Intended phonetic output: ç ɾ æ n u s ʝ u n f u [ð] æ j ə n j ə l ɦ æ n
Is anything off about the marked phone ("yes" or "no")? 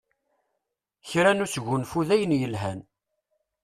no